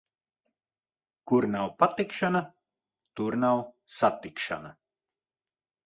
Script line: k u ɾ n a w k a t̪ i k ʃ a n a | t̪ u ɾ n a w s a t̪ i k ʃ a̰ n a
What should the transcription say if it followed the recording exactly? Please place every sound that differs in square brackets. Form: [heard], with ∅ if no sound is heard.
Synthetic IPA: k u ɾ n a w [p] a t̪ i k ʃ a n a | t̪ u ɾ n a w s a t̪ i k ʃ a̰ n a